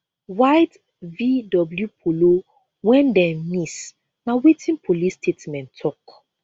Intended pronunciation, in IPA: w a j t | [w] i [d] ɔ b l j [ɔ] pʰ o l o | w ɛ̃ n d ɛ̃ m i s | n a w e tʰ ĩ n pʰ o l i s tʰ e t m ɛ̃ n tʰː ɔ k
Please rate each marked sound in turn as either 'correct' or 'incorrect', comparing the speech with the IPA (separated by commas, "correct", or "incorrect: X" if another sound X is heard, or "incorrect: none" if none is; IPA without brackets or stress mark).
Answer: incorrect: v, correct, incorrect: u